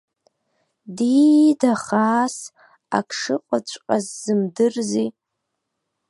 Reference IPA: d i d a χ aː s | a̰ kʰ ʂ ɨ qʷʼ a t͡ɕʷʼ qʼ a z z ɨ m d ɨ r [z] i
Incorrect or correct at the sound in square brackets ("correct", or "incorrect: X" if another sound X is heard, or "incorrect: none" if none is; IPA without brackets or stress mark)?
correct